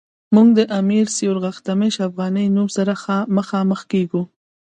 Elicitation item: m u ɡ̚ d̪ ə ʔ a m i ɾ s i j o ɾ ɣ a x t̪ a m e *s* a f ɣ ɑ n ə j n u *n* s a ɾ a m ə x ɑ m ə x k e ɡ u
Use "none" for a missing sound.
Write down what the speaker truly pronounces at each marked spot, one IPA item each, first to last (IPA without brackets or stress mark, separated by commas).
ʃ, m